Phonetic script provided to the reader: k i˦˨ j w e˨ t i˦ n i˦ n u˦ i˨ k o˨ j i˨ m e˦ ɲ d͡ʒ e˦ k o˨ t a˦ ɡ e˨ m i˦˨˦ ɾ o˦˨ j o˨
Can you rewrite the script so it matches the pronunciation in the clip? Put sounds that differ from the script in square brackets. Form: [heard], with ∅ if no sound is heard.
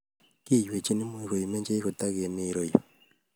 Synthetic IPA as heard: k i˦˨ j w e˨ [t͡ʃ] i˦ n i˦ [m] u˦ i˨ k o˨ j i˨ m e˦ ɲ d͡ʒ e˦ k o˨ t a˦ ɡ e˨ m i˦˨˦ ɾ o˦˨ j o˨